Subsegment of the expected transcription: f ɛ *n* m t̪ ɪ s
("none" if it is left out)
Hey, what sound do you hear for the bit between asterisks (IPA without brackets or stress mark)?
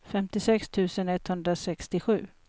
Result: none